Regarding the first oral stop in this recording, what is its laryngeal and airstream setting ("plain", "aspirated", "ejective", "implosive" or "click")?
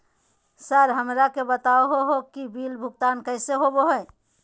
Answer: plain